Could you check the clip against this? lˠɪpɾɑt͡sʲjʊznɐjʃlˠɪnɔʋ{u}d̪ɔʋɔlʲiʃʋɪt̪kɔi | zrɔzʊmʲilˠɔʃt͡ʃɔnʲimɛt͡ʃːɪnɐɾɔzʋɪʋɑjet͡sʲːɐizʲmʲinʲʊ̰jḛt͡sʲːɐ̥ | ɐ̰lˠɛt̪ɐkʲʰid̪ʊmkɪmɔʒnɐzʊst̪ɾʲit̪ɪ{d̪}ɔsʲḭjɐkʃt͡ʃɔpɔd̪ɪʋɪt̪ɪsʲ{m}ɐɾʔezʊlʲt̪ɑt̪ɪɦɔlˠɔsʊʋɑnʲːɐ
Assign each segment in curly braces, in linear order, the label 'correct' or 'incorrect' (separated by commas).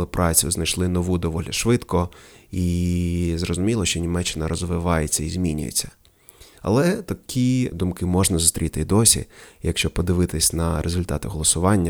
correct, correct, incorrect